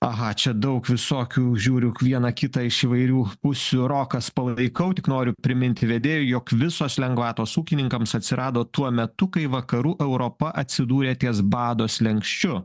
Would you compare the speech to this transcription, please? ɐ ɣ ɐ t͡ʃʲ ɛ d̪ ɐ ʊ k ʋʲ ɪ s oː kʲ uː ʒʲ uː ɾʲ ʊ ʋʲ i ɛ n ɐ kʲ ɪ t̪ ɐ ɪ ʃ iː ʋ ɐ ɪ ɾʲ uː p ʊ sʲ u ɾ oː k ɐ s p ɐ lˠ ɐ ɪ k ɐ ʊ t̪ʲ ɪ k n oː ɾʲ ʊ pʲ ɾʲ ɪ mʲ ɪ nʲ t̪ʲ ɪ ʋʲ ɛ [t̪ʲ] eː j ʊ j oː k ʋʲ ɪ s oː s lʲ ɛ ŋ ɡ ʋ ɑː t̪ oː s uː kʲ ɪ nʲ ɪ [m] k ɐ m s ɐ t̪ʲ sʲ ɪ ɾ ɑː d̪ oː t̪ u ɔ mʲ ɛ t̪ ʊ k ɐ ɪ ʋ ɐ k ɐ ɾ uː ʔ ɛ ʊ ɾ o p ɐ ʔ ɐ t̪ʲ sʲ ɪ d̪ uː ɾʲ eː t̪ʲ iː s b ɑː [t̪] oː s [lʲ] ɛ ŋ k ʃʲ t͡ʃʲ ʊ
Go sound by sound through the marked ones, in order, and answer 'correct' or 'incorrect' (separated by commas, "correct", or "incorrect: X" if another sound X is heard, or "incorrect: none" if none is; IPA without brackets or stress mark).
incorrect: d̪ʲ, incorrect: ŋ, incorrect: d̪, correct